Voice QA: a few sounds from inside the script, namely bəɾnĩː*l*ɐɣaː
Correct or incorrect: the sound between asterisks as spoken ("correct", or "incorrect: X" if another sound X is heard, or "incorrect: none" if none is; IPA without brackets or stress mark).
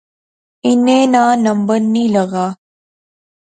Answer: correct